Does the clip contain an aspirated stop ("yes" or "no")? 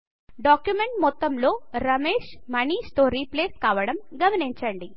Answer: no